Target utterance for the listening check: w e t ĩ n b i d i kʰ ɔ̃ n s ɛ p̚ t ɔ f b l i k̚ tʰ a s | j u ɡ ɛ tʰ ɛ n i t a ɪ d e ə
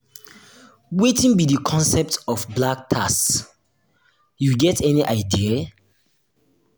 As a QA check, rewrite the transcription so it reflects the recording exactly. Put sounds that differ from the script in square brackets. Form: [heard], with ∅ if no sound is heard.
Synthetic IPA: w e t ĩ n b i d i kʰ ɔ̃ n s ɛ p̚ t ɔ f b l [a] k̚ tʰ a s | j u ɡ ɛ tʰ ɛ n i [ʔ] a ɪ d [i] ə